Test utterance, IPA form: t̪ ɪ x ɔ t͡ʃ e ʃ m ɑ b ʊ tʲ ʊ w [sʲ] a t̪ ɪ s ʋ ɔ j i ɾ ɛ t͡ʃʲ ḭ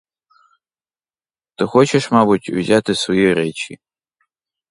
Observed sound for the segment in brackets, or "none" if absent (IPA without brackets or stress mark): zʲ